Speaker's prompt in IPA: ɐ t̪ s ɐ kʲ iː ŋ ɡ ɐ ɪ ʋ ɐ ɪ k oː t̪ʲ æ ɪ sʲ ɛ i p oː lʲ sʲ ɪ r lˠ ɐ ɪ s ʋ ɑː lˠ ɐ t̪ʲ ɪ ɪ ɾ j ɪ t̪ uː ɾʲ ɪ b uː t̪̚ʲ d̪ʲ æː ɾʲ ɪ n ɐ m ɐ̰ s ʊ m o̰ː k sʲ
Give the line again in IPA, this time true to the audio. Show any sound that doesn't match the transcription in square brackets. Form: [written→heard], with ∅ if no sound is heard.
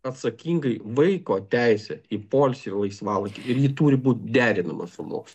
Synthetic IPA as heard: ɐ t̪ s ɐ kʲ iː ŋ ɡ ɐ ɪ ʋ ɐ ɪ k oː t̪ʲ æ ɪ sʲ ɛ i p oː lʲ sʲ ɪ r lˠ ɐ ɪ s ʋ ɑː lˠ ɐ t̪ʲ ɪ ɪ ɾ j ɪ t̪ uː ɾʲ ɪ b uː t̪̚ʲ d̪ʲ æː ɾʲ ɪ n ɐ m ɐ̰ s ʊ m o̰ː k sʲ